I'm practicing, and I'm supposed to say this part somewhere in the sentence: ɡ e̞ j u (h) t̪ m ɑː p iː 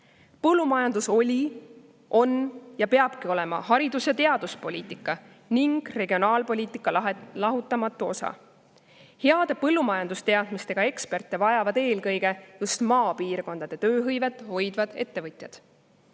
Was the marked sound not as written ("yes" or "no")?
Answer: yes